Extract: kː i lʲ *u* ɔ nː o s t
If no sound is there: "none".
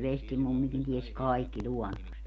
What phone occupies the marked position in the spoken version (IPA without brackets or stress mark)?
u